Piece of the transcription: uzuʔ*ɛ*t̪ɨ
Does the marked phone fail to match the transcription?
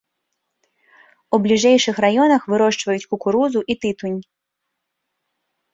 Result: yes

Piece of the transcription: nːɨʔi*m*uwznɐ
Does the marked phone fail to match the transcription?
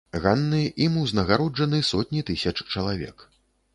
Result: no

